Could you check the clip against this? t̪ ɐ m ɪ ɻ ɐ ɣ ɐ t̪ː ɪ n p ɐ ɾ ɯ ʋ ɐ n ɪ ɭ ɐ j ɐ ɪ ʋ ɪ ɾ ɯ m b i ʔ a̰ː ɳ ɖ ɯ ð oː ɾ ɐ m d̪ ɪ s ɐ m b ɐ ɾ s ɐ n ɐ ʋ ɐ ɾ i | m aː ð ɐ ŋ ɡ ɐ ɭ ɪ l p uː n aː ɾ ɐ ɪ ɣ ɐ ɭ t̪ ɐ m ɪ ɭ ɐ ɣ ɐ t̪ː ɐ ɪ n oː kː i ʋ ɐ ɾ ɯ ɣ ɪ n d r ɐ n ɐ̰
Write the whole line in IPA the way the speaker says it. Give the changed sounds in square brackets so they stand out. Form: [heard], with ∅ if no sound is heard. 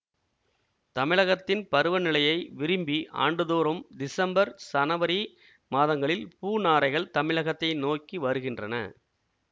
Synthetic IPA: t̪ ɐ m ɪ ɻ ɐ ɣ ɐ t̪ː ɪ n p ɐ ɾ ɯ ʋ ɐ n ɪ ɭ ɐ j ɐ ɪ ʋ ɪ ɾ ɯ m b i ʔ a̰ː ɳ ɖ ɯ ð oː ɾ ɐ m d̪ ɪ s ɐ m b ɐ ɾ s ɐ n ɐ ʋ ɐ ɾ i | m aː ð ɐ ŋ ɡ ɐ ɭ ɪ l p uː n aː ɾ ɐ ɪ ɣ ɐ ɭ t̪ ɐ m ɪ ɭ ɐ ɣ ɐ t̪ː ɐ ɪ n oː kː i ʋ ɐ ɾ ɯ ɣ ɪ n d r ɐ n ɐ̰